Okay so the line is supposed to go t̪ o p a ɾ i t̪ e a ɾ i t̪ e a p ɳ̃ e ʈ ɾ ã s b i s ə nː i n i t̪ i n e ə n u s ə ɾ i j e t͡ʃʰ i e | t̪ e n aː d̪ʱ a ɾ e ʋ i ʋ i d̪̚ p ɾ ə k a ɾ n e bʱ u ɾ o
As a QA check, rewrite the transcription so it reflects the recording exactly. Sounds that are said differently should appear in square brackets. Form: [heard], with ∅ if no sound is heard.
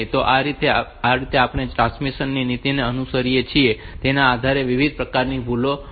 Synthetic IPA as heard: t̪ o [ʔ] a ɾ i t̪ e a ɾ i t̪ e a p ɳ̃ e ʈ ɾ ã s [m] i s ə nː i n i t̪ i n e ə n u s ə ɾ i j e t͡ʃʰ i e | t̪ e n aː d̪ʱ a ɾ e ʋ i ʋ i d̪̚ p ɾ ə k a ɾ n [i] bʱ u [l] o